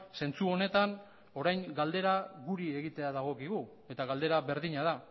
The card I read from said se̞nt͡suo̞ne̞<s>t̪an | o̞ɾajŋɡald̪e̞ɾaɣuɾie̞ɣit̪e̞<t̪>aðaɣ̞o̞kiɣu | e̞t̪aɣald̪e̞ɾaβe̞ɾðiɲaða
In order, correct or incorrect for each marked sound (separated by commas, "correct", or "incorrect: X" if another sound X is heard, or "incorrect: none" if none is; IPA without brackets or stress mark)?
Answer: incorrect: none, incorrect: none